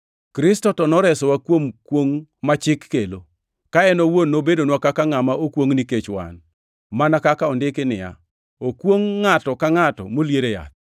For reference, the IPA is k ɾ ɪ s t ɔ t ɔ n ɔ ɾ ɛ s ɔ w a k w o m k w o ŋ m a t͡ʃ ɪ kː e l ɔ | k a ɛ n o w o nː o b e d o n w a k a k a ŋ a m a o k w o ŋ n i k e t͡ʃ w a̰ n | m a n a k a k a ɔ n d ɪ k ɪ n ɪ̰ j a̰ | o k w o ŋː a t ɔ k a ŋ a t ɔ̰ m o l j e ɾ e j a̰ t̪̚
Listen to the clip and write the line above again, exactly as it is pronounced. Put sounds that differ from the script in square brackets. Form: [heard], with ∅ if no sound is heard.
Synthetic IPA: k ɾ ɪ s t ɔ t ɔ n ɔ ɾ ɛ s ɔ w a k w o m k w o ŋ m a t͡ʃ ɪ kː e l [o] | k a ɛ n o w o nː o b e d o n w a k a k a ŋ a m a o k w o ŋ n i k e t͡ʃ w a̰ n | m a n a k a k a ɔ n d ɪ k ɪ n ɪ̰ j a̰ | o k w o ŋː a t ɔ k a ŋ a t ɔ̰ m o l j e ɾ e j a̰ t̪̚